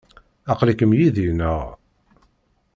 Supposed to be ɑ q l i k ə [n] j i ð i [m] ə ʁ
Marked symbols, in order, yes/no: no, no

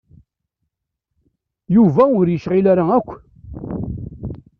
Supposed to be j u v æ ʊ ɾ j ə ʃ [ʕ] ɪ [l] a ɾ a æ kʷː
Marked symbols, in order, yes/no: no, yes

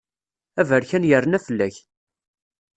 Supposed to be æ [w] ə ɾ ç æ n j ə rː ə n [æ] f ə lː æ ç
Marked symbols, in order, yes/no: no, yes

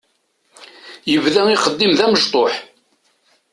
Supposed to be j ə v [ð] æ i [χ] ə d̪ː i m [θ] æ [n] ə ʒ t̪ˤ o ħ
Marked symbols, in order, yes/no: yes, yes, no, no

